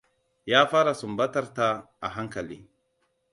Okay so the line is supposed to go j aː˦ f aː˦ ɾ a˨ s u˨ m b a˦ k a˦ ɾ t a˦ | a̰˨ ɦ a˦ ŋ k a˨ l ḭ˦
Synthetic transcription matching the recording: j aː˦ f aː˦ ɾ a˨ s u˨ m b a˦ t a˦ ɾ t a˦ | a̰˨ ɦ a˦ ŋ k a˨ l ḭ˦